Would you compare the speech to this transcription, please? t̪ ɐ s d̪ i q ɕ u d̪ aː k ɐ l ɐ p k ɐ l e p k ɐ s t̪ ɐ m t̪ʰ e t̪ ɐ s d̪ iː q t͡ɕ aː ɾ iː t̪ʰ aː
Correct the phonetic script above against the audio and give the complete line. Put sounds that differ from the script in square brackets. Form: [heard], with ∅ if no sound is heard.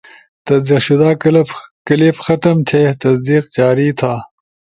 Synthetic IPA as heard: t̪ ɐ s d̪ i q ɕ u d̪ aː k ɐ l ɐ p k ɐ l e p [x] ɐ [∅] t̪ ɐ m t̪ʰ e t̪ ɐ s d̪ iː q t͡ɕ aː ɾ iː t̪ʰ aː